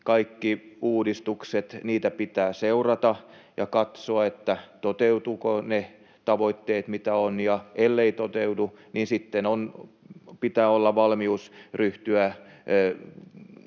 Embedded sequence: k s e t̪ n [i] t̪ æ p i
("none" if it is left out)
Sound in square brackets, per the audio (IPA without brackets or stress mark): iː